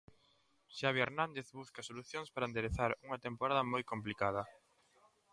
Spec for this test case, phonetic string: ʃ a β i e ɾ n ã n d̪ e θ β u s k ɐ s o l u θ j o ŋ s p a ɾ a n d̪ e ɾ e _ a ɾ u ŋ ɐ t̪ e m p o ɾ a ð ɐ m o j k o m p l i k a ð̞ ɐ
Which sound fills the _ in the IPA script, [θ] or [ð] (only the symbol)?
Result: θ